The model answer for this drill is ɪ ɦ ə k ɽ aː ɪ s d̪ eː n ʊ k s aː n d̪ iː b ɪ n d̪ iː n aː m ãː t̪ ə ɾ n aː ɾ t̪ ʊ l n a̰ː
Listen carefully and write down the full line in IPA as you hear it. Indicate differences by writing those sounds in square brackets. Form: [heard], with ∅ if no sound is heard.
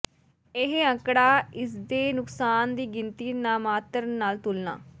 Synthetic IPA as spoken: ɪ ɦ ə k ɽ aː ɪ s d̪ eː n ʊ k s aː n d̪ iː [ɡ] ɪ n [t̪] iː n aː m [aː] t̪ ə ɾ n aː [l] t̪ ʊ l n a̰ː